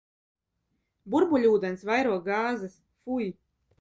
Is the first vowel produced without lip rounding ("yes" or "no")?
no